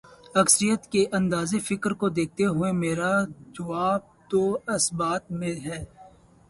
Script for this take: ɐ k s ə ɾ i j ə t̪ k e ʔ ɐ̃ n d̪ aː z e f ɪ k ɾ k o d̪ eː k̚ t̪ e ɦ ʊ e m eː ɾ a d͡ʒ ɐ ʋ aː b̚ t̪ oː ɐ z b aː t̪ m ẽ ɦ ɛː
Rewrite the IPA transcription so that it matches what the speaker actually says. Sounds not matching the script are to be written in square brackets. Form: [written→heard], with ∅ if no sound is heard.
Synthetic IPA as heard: ɐ k s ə ɾ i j ə t̪ k e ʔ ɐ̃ n d̪ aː z e f ɪ k ɾ k o d̪ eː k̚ t̪ e ɦ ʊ e m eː ɾ a d͡ʒ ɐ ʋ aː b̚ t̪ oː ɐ [z→s] b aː t̪ m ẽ ɦ ɛː